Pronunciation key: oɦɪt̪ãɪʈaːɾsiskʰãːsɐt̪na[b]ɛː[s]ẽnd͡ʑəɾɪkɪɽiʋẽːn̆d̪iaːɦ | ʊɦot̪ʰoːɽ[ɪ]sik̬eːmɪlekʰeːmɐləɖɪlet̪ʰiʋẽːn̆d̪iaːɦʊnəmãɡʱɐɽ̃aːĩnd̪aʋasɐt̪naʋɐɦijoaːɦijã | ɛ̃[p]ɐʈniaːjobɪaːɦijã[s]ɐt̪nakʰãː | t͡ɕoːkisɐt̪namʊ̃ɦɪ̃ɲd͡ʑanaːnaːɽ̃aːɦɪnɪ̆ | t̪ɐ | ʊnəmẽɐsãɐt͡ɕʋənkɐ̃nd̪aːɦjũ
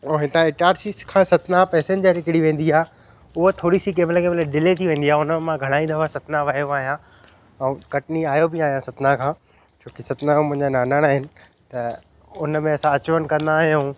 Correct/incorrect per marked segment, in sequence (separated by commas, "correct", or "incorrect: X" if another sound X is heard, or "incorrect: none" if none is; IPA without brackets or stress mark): incorrect: p, correct, incorrect: i, incorrect: k, correct